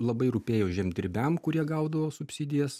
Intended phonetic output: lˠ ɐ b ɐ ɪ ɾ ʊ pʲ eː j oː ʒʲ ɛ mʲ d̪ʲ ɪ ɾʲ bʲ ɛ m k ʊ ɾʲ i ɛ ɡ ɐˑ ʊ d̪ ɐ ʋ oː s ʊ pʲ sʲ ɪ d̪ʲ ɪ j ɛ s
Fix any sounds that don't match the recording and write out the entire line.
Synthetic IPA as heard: lˠ ɐ b ɐ ɪ ɾ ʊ pʲ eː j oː ʒʲ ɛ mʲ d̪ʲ ɪ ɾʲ bʲ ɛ m k ʊ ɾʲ i ɛ ɡ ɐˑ ʊ d̪ ɐ ʋ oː s ʊ pʲ sʲ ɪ d̪ʲ ɪ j ɛ s